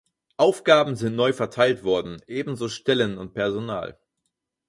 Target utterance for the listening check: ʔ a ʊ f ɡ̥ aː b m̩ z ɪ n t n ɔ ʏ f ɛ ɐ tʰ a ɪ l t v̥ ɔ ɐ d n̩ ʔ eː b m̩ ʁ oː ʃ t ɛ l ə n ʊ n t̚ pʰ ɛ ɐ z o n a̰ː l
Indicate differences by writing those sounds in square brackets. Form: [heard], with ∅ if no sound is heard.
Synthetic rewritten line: ʔ a ʊ f ɡ̥ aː b m̩ z ɪ n t n ɔ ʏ f ɛ ɐ tʰ a ɪ l t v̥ ɔ ɐ d n̩ ʔ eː b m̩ [z] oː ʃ t ɛ l ə n ʊ n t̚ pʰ ɛ ɐ z o n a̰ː l

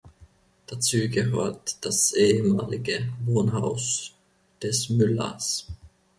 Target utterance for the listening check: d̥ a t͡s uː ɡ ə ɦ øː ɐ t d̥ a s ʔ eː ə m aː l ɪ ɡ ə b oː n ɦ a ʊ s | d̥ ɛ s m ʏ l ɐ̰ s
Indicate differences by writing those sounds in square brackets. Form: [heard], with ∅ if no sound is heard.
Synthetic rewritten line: d̥ a t͡s uː ɡ ə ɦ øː ɐ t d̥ a s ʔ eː ə m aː l ɪ ɡ ə [v] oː n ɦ a ʊ s | d̥ ɛ s m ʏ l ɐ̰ s

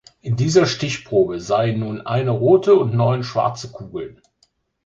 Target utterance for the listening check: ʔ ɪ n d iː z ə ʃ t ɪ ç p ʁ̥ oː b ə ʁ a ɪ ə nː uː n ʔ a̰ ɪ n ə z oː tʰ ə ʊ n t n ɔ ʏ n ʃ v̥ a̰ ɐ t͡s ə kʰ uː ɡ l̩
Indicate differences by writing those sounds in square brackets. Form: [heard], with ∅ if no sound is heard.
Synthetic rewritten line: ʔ ɪ n d iː z [ɐ] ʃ t ɪ ç p ʁ̥ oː b ə [z] a ɪ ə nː uː n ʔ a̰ ɪ n ə [ʁ] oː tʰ ə ʊ n t n ɔ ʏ n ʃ v̥ a̰ ɐ t͡s ə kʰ uː ɡ l̩

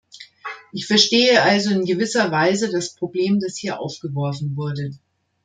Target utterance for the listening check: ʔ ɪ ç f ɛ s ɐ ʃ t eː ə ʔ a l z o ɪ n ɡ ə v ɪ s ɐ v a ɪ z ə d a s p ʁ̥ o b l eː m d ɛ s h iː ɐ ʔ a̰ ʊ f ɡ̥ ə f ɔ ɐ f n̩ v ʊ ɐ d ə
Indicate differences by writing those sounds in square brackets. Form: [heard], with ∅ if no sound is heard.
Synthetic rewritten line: ʔ ɪ ç f ɛ [∅] ɐ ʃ t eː ə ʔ a l z o ɪ n ɡ ə v ɪ s ɐ v a ɪ z ə d a s p ʁ̥ o b l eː m d [a] s h iː ɐ ʔ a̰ ʊ f ɡ̥ ə [v] ɔ ɐ f n̩ v ʊ ɐ d ə

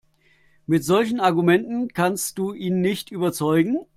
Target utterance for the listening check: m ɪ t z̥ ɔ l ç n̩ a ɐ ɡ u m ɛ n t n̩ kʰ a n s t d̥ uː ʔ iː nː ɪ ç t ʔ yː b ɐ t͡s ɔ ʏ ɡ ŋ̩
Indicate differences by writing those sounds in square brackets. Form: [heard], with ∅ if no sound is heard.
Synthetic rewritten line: m ɪ t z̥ ɔ l ç n̩ a ɐ ɡ u m ɛ n t n̩ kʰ a n s t d̥ uː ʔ iː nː ɪ ç t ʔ yː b ɐ t͡s ɔ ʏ ɡ ŋ̩

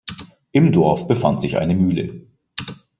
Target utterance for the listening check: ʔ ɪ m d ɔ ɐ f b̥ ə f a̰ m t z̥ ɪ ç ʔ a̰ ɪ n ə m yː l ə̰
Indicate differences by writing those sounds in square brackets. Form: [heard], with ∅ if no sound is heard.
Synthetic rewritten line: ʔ ɪ m d ɔ ɐ f b̥ ə f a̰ [n] t z̥ ɪ ç ʔ a̰ ɪ n ə m yː l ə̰

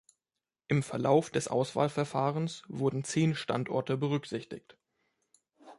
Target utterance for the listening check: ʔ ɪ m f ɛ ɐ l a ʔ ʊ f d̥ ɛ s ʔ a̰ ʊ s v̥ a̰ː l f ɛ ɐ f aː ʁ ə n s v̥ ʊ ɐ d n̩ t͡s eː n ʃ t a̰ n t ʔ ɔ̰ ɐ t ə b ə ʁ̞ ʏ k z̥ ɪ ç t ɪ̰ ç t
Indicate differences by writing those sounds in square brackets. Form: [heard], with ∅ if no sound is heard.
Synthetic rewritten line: ʔ ɪ m f ɛ ɐ l a [∅] ʊ f d̥ ɛ s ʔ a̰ ʊ s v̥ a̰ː l f ɛ ɐ f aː ʁ ə n s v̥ ʊ ɐ d n̩ t͡s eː n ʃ t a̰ n t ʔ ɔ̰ ɐ t ə b ə ʁ̞ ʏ k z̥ ɪ ç t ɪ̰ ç t

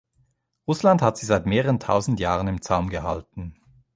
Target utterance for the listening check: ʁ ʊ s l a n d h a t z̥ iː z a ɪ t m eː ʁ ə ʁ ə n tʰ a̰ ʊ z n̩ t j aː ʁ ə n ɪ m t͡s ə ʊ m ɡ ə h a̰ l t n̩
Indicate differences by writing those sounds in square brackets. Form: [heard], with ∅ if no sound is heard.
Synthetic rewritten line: ʁ ʊ s l a n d h a t z̥ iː z a ɪ t m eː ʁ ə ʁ ə n tʰ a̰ ʊ z n̩ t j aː ʁ ə n ɪ m t͡s [a] ʊ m ɡ ə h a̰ l t n̩

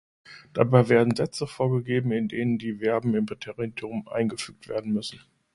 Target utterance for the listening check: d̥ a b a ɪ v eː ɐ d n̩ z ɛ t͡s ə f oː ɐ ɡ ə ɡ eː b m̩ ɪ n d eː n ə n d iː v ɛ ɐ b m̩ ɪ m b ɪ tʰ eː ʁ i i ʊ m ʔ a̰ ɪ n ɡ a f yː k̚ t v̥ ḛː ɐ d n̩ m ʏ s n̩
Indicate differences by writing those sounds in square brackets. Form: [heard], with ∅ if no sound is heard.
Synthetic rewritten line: d̥ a b a ɪ v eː ɐ d n̩ z ɛ t͡s ə f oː ɐ ɡ ə ɡ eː b m̩ ɪ n d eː n ə n d iː v ɛ ɐ b m̩ ɪ m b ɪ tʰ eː ʁ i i ʊ m ʔ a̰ ɪ n ɡ [ə] f yː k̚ t v̥ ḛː ɐ d n̩ m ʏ s n̩

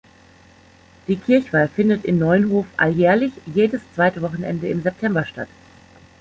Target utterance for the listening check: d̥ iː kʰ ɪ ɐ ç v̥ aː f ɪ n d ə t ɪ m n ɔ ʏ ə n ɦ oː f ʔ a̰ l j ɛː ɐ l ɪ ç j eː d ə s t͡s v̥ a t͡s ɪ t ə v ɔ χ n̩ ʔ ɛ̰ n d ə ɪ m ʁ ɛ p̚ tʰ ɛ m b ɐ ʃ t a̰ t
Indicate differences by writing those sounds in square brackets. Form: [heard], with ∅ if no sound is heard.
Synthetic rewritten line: d̥ iː kʰ ɪ ɐ ç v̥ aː f ɪ n d ə t ɪ m n ɔ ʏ ə n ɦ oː f ʔ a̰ l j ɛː ɐ l ɪ ç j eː d ə s t͡s v̥ a [∅] ɪ t ə v ɔ χ n̩ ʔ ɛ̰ n d ə ɪ m [z] ɛ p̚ tʰ ɛ m b ɐ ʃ t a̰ t

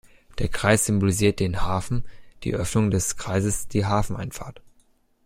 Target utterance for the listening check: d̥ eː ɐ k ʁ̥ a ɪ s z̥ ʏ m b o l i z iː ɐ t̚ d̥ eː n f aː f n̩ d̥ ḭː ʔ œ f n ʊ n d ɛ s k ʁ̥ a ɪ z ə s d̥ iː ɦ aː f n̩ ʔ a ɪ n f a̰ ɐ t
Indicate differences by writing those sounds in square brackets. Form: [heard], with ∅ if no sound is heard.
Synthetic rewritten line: d̥ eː ɐ k ʁ̥ a ɪ s z̥ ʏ m b o l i z iː ɐ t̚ d̥ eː n [h] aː f n̩ d̥ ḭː ʔ œ f n ʊ [ŋ] d ɛ s k ʁ̥ a ɪ z ə s d̥ iː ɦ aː f n̩ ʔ a ɪ n f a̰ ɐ t

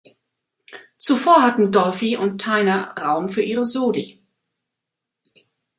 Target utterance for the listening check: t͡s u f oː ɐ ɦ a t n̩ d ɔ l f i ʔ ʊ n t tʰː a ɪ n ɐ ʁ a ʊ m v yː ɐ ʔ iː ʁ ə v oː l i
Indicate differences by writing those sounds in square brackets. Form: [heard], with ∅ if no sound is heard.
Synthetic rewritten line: t͡s u f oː ɐ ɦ a t n̩ d ɔ l f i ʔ ʊ n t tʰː a ɪ n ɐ ʁ a ʊ m [f] yː ɐ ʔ iː ʁ ə [z] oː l i

